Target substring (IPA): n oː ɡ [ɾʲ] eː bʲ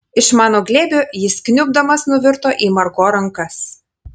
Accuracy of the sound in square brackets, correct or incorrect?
incorrect: lʲ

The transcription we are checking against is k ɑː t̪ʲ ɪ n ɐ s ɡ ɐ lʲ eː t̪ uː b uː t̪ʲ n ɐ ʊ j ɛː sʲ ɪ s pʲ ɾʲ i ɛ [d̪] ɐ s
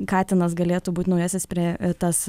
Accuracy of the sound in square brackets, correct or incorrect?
incorrect: t̪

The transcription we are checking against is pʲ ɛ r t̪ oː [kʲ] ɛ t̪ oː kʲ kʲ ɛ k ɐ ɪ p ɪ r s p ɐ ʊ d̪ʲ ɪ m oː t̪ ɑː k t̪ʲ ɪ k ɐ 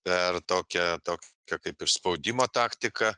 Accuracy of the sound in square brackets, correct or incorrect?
correct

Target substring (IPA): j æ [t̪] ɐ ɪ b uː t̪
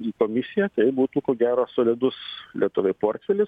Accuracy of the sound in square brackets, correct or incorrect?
correct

